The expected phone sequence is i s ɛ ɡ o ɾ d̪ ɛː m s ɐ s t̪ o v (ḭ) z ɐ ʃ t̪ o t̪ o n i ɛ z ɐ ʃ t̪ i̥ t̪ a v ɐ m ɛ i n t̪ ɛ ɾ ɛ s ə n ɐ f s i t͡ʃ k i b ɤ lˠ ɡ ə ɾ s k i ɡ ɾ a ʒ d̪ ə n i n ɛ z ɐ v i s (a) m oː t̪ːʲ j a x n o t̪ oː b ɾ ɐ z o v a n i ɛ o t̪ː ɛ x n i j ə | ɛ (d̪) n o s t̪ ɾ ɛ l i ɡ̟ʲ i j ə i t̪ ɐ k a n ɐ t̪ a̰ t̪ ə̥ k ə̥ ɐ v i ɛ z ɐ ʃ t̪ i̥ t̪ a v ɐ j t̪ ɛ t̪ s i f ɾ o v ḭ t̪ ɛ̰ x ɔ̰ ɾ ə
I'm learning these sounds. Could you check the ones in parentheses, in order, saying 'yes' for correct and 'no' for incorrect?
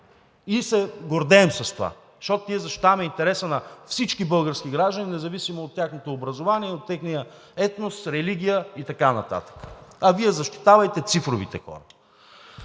no, no, no

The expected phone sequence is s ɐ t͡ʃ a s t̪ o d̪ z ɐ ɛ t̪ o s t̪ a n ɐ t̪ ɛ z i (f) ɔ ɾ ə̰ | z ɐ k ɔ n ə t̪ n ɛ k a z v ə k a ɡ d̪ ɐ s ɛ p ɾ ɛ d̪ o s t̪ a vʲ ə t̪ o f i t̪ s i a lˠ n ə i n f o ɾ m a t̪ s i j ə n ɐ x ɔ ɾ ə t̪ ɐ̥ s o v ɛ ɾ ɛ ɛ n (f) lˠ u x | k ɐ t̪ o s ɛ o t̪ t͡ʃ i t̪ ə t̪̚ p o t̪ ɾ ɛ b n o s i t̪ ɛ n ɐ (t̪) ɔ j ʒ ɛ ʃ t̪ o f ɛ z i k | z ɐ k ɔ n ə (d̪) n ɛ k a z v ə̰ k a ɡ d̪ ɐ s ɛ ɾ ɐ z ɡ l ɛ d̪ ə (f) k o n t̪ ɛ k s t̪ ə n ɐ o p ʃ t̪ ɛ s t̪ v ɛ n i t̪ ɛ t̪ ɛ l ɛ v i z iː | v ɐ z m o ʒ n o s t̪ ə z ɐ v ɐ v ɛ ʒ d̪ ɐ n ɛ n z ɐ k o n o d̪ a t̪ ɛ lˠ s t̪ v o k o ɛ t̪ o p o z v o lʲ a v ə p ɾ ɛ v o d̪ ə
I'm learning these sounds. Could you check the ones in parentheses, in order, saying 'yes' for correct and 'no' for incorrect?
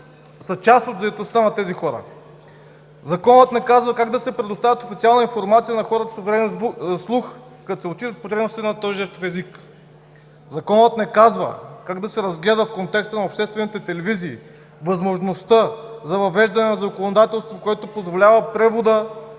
no, no, yes, no, yes

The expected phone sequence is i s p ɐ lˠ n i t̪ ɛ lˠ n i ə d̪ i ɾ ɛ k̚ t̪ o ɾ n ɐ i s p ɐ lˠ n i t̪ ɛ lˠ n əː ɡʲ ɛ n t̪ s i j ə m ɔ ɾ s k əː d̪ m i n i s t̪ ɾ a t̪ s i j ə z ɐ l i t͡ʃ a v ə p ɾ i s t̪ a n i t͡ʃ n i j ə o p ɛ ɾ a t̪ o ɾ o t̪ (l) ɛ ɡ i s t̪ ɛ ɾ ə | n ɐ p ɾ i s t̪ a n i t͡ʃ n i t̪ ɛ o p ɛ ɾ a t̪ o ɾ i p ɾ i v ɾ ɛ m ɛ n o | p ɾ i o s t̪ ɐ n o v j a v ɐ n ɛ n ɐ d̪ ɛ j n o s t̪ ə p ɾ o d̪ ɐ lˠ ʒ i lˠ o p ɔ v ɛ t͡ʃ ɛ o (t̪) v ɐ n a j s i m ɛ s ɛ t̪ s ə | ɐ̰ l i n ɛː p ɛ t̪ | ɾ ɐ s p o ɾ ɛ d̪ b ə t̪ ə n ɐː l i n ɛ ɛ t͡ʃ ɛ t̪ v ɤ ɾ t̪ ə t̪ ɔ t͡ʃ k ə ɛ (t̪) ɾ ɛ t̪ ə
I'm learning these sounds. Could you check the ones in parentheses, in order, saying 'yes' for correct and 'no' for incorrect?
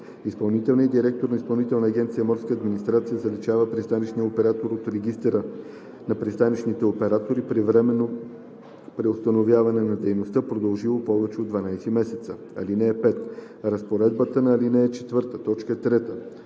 no, no, yes

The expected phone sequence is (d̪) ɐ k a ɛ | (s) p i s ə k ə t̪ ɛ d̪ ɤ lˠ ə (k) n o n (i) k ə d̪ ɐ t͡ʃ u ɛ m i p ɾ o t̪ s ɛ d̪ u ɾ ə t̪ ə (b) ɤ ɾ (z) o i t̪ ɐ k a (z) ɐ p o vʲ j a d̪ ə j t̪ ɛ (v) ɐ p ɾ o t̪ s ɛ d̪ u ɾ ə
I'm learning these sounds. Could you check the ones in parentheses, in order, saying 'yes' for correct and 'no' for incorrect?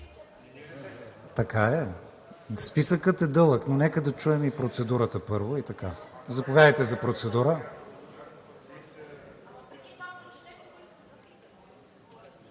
no, yes, yes, no, no, no, yes, no

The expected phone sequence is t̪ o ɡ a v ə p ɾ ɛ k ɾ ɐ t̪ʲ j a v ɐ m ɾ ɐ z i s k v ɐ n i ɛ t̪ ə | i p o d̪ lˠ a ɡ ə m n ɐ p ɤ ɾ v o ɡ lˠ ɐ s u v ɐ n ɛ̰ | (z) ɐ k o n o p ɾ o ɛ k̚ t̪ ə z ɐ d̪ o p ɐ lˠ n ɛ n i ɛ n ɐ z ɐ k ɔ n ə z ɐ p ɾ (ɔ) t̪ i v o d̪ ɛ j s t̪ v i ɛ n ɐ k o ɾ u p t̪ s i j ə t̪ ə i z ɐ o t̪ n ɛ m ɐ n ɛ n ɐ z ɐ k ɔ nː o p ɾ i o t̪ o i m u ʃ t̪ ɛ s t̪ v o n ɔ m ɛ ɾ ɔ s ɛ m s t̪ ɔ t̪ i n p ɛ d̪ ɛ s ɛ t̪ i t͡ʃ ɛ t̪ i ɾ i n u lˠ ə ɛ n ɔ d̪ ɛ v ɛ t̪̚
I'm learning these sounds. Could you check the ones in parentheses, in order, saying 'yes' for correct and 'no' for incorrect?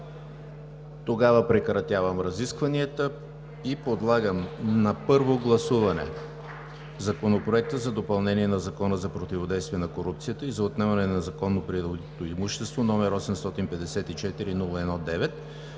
yes, no

